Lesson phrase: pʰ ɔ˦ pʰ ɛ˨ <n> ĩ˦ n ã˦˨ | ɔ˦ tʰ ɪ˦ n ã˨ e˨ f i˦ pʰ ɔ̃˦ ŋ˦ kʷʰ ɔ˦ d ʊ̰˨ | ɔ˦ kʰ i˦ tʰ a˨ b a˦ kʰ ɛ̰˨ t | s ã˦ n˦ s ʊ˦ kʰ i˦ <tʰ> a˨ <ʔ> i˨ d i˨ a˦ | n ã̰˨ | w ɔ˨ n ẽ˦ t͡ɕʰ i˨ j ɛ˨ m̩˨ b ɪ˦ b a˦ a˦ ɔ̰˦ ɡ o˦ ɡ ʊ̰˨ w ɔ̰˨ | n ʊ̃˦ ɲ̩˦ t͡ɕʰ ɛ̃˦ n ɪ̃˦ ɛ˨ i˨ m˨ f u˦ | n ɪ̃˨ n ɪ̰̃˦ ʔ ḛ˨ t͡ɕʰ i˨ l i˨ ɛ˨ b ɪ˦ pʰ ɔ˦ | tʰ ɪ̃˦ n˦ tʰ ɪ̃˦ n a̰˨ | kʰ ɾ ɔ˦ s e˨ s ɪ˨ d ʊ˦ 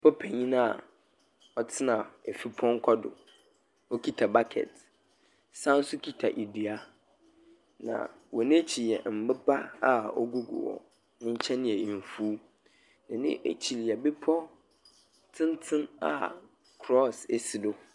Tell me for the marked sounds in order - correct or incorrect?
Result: incorrect: ɲ, correct, correct

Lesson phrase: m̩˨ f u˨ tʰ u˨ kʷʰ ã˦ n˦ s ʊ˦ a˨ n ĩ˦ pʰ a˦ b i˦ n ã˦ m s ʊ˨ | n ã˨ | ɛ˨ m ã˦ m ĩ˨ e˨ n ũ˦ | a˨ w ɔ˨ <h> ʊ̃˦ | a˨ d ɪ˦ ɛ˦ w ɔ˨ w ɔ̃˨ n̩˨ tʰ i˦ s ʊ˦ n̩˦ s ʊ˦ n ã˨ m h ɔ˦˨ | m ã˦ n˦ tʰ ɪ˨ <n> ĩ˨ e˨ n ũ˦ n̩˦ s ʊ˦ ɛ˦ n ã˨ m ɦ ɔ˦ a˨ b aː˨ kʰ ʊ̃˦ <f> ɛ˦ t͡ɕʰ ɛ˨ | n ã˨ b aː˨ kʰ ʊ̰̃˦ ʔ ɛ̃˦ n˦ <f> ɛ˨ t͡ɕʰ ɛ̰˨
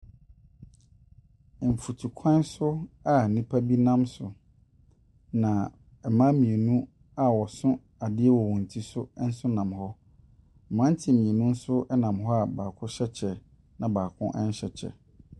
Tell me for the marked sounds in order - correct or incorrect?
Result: incorrect: s, incorrect: m, incorrect: ɕ, incorrect: ɕ

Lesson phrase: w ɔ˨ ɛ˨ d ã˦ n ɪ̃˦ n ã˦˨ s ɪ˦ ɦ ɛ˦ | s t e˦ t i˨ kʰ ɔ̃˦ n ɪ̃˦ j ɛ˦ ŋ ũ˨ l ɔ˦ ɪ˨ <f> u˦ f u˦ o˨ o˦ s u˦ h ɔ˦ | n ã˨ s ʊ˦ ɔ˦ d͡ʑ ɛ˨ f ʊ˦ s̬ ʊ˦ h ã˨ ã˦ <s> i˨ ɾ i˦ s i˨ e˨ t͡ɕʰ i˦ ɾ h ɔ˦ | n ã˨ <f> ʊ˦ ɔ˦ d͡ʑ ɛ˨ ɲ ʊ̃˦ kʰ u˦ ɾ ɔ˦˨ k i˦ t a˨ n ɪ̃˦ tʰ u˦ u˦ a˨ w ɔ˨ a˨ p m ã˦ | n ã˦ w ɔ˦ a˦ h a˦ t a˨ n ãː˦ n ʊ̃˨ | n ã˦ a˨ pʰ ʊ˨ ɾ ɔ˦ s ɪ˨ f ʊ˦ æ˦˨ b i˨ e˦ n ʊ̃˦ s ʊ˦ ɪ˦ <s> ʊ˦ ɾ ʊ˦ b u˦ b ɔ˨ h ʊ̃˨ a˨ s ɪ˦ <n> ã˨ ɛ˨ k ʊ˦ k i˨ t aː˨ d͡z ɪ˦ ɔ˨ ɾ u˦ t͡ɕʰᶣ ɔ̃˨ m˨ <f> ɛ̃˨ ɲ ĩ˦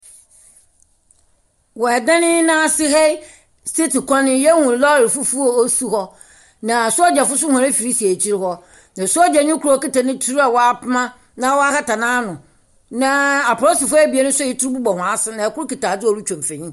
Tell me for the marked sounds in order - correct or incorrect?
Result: correct, incorrect: f, incorrect: s, incorrect: t, correct, correct

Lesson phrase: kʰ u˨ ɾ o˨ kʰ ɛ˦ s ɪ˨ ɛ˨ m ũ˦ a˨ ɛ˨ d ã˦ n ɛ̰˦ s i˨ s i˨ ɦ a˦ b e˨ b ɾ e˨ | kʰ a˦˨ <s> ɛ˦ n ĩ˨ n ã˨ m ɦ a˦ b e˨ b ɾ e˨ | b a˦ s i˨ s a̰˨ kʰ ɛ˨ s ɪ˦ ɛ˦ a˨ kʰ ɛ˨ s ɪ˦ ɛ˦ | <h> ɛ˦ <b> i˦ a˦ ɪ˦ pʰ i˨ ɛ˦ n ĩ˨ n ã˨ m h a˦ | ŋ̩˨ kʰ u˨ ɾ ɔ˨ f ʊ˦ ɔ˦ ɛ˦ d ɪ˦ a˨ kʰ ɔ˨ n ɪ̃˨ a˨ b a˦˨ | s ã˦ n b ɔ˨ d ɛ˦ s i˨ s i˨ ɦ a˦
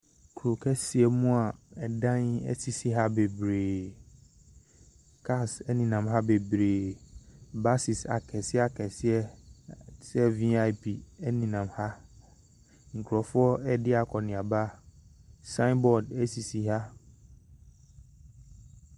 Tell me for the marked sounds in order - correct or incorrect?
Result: correct, incorrect: s, incorrect: v

